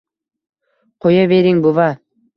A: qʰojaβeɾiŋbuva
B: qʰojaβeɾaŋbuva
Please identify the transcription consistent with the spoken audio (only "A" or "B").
A